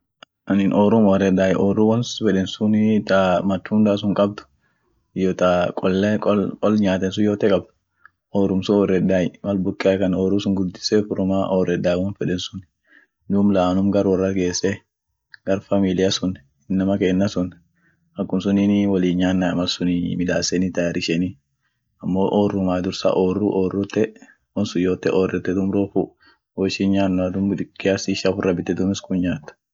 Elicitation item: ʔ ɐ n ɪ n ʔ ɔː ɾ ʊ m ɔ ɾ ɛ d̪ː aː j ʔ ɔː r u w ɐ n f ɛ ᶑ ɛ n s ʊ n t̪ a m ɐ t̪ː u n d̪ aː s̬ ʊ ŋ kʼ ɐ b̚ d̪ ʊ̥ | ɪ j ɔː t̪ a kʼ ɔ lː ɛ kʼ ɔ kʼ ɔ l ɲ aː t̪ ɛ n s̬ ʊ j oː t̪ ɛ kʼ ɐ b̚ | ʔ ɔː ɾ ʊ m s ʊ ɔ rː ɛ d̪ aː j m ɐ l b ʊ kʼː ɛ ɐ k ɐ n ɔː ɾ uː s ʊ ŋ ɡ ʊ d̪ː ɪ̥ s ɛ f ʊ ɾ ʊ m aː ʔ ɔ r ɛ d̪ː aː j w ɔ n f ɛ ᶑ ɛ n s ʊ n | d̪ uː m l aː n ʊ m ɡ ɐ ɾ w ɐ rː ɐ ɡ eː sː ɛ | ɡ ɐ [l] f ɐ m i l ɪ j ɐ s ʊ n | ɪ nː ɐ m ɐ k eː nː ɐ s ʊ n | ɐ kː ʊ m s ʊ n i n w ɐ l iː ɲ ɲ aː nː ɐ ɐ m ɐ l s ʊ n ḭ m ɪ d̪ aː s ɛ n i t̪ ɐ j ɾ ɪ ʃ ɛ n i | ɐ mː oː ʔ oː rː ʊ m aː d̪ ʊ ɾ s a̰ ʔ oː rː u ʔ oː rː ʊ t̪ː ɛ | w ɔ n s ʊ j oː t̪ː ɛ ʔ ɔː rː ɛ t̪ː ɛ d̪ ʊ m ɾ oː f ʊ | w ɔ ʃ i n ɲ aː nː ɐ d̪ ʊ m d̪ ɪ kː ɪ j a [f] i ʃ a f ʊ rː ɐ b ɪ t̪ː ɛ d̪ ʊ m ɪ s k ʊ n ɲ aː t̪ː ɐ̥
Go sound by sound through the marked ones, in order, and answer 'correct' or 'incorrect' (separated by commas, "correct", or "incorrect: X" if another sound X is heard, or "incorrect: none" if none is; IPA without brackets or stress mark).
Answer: incorrect: ɾ, incorrect: s